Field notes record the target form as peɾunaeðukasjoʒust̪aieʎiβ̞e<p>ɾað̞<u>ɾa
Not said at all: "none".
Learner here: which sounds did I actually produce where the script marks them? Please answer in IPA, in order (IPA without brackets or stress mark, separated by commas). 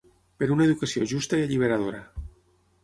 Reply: none, o